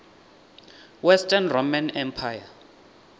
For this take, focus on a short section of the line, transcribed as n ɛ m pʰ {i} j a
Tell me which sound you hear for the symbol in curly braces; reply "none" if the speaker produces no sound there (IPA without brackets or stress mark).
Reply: a